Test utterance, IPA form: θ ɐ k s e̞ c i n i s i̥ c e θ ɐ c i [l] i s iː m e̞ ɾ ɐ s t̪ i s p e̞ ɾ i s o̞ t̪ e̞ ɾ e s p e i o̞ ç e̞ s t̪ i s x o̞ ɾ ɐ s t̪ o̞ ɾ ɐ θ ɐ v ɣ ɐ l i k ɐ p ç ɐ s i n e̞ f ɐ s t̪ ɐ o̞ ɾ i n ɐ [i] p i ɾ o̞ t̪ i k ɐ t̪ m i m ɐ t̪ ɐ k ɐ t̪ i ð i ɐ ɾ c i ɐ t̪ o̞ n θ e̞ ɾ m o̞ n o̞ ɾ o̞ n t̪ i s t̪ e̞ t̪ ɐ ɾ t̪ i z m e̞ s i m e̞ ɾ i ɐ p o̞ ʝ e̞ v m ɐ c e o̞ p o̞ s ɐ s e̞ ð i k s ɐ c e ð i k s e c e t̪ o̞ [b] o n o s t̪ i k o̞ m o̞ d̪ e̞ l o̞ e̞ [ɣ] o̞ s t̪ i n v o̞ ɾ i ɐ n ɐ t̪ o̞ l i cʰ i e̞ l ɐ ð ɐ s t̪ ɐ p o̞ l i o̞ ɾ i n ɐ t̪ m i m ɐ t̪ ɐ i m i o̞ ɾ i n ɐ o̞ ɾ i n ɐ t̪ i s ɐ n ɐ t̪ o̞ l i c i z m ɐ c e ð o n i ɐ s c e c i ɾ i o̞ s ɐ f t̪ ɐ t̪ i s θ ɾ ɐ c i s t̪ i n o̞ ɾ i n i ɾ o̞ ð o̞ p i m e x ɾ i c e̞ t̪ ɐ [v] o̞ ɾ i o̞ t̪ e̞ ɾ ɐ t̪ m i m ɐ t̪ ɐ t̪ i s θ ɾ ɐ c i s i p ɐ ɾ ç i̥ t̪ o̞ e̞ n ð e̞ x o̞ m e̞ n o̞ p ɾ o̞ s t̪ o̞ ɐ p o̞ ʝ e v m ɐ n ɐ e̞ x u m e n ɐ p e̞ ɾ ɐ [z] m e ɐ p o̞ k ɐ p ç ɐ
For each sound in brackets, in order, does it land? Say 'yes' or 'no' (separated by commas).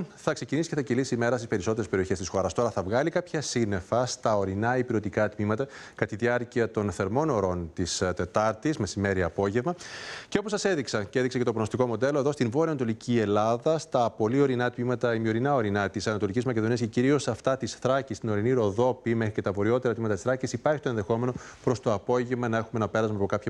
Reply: yes, yes, no, no, yes, yes